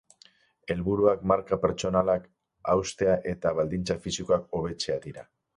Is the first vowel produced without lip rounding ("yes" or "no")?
yes